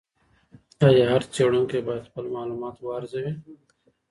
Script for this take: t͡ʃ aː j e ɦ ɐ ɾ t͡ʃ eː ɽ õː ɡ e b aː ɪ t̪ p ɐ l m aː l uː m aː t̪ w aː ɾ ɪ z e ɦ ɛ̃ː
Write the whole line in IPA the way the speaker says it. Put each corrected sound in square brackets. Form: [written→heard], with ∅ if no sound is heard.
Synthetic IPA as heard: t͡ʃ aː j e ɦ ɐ ɾ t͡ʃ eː ɽ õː [ɡ→k] e b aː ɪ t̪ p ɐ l m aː l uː m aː t̪ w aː ɾ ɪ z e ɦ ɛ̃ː